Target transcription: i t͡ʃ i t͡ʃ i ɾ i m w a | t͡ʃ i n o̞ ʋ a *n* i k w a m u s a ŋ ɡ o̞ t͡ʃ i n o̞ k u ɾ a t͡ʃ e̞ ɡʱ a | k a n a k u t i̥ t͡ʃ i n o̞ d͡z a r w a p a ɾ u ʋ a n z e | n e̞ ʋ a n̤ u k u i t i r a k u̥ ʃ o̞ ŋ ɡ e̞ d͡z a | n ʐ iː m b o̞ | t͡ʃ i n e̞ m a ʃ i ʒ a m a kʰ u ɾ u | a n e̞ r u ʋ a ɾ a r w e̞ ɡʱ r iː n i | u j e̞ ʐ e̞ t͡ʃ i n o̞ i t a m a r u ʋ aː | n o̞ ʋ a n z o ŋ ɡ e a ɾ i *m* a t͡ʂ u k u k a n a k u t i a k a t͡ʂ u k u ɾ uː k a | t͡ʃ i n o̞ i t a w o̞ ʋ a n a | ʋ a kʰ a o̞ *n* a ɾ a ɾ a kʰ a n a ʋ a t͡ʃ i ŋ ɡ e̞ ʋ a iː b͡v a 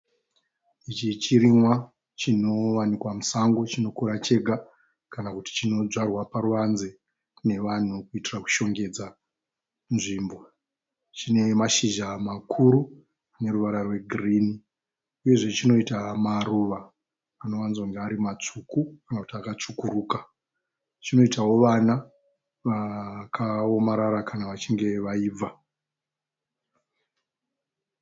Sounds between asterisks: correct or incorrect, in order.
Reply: correct, correct, incorrect: m

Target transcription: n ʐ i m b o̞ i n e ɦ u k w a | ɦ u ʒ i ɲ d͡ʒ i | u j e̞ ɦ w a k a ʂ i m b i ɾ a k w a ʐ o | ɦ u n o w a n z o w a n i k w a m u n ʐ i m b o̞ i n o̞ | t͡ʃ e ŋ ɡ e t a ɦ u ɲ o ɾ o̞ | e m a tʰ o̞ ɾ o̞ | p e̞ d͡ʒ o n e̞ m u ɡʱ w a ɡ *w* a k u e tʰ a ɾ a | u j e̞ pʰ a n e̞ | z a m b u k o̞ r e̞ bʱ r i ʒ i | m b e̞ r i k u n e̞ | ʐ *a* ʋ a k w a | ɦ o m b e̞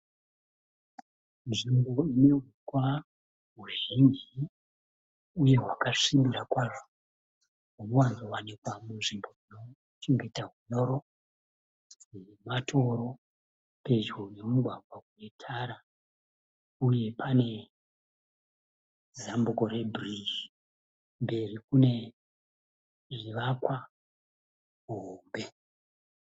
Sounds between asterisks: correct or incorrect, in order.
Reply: correct, incorrect: i

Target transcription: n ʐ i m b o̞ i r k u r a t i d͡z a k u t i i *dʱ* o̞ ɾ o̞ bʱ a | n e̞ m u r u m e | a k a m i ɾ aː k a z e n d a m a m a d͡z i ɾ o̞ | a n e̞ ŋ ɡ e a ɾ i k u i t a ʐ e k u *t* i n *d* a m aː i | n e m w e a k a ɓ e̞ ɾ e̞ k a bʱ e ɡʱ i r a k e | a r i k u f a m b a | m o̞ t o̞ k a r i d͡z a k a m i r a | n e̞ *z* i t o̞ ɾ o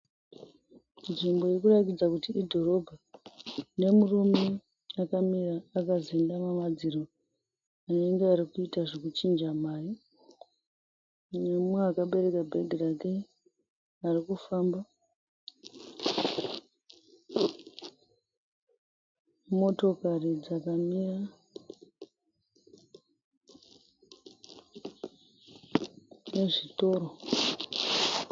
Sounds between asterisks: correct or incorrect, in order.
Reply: correct, incorrect: t͡ʃ, incorrect: d͡ʒ, incorrect: ʐ

